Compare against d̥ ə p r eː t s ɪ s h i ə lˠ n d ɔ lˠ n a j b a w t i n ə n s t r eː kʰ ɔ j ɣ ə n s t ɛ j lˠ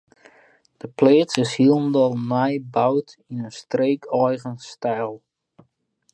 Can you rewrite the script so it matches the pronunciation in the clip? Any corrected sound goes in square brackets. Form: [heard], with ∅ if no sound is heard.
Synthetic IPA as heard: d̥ ə p [l] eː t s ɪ s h i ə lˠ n d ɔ lˠ n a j b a w t i n ə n s t r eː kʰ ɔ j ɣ ə n s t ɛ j lˠ